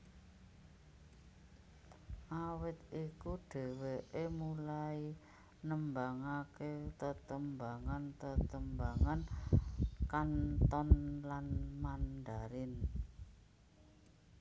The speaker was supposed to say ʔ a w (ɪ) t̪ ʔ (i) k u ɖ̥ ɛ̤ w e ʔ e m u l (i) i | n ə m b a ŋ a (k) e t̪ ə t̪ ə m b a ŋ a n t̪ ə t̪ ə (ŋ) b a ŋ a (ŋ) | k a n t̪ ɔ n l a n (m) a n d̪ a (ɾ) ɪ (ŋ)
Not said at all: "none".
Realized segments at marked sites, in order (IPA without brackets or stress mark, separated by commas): ɪ, i, a, k, m, n, m, ɾ, n